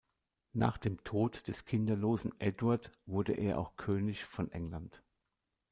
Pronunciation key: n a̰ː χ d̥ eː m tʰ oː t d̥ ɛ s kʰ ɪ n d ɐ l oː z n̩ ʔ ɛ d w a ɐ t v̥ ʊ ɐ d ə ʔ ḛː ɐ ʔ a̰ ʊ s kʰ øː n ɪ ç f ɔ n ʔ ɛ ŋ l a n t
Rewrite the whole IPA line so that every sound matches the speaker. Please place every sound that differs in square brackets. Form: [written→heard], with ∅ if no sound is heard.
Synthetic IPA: n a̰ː χ d̥ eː m tʰ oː t d̥ ɛ s kʰ ɪ n d ɐ l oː z n̩ ʔ ɛ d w a ɐ t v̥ ʊ ɐ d ə ʔ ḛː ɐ ʔ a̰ ʊ [s→x] kʰ øː n ɪ ç f ɔ n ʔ ɛ ŋ l a n t